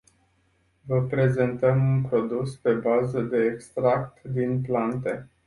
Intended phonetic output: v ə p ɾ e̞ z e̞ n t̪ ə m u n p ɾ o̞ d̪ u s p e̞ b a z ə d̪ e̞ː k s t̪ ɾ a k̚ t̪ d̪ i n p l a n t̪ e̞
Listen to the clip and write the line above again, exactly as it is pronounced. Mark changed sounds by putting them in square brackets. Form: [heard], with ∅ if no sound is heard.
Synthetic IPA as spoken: v ə p ɾ e̞ z e̞ n t̪ ə m u n p ɾ o̞ d̪ u s p e̞ b a z ə d̪ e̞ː k s t̪ ɾ a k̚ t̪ d̪ i n p l a n t̪ e̞